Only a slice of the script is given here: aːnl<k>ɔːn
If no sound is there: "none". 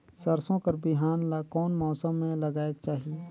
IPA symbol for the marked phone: k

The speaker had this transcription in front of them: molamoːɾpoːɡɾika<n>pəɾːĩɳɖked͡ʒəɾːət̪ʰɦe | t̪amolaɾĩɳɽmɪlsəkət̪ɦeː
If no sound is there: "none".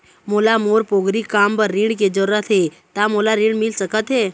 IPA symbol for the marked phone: m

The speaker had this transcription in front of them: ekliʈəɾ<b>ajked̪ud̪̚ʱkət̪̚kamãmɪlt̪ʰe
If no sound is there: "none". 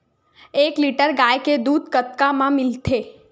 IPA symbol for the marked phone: ɡ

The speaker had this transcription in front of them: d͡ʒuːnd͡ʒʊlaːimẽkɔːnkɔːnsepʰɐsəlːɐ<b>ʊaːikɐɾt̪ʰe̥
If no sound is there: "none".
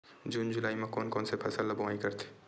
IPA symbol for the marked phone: b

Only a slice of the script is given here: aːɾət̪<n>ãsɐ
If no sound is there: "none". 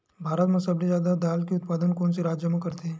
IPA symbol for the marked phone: m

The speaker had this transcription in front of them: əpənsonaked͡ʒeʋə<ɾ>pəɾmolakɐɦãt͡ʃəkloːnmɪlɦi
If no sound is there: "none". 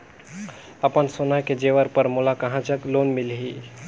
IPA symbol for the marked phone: ɾ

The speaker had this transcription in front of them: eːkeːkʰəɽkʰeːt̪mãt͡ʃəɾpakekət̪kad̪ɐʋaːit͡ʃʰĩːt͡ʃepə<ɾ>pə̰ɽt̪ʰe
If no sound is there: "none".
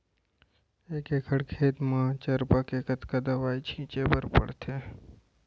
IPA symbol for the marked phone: ɾ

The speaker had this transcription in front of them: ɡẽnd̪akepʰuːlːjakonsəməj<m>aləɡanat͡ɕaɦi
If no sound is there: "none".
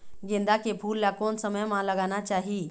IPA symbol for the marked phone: m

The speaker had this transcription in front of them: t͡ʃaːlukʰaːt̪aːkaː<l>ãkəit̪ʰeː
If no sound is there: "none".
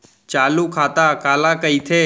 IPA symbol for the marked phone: l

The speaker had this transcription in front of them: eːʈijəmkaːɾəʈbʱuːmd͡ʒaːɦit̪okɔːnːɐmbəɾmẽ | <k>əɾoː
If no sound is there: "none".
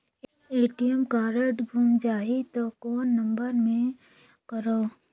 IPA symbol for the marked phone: k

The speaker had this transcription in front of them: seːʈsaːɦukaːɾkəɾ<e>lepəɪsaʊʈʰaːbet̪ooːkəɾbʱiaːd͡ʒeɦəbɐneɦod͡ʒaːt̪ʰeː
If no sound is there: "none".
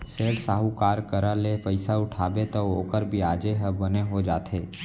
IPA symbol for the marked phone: a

